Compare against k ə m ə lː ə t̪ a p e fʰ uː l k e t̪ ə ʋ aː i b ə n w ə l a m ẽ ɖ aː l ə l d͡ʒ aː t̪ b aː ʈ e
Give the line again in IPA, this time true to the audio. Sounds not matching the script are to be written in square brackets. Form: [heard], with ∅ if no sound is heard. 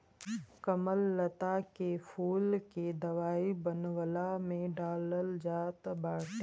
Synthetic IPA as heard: k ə m ə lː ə t̪ a [k] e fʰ uː l k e [d̪] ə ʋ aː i b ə n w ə l a m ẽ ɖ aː l ə l d͡ʒ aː t̪ b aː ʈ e